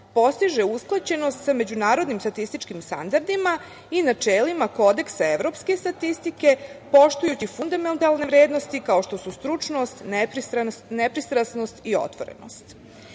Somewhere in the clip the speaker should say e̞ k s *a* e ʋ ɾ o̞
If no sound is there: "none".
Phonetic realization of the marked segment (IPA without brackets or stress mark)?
a